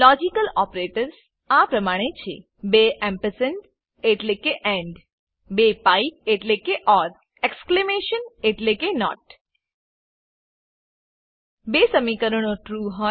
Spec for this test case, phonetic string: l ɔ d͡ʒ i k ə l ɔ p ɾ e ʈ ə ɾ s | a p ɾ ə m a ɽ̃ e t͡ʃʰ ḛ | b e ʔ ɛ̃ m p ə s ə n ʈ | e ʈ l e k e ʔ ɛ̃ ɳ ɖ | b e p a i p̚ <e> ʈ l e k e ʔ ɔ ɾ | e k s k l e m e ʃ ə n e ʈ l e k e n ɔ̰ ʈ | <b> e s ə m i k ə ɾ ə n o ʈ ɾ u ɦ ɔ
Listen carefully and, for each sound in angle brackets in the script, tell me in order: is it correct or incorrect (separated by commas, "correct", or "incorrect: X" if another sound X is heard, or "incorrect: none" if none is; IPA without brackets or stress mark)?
correct, correct